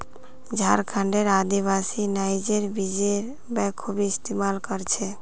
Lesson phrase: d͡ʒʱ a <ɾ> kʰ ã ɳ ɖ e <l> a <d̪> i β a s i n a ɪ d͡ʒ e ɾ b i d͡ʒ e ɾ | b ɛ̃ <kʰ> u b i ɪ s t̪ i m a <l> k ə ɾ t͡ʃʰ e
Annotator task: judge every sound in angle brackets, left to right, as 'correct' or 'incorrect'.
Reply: correct, incorrect: ɾ, correct, correct, correct

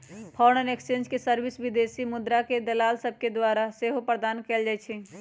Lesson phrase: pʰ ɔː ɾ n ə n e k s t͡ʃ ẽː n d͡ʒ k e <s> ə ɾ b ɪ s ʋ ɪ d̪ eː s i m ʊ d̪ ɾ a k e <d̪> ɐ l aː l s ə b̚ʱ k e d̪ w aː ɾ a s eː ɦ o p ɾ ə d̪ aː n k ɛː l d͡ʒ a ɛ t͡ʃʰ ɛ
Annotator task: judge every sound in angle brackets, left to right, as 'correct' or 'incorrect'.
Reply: correct, correct

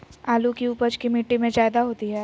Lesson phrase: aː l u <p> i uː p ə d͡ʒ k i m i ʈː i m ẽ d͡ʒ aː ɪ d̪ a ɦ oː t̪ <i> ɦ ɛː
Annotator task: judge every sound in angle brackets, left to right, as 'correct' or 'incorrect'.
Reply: incorrect: k, correct

